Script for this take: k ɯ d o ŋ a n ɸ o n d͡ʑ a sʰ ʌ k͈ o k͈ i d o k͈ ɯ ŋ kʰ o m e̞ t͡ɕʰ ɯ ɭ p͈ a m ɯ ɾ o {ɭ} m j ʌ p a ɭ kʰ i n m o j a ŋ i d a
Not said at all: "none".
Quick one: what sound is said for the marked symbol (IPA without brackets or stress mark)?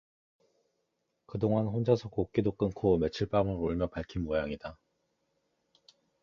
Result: ɭ